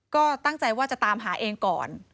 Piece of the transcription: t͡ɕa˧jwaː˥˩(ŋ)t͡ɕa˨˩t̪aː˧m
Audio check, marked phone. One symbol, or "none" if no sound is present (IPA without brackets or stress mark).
none